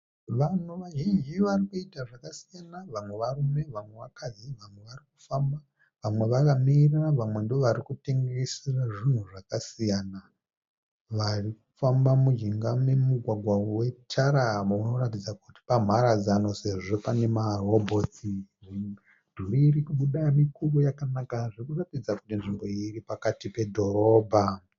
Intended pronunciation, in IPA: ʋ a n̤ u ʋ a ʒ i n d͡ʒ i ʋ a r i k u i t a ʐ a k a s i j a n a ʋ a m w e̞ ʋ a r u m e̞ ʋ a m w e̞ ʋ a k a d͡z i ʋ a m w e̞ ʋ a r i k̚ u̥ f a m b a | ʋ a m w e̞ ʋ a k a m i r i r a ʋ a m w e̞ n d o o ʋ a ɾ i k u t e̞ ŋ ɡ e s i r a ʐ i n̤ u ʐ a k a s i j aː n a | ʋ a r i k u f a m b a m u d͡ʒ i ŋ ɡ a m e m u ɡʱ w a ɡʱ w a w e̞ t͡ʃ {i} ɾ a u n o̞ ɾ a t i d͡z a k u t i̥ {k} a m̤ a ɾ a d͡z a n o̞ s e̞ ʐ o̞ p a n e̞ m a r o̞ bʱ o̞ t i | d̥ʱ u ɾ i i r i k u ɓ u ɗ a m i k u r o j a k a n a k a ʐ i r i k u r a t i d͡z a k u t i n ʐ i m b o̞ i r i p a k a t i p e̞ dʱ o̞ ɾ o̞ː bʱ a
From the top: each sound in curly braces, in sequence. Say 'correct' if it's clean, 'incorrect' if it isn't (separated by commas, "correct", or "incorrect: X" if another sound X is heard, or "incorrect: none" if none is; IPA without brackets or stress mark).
incorrect: a, incorrect: p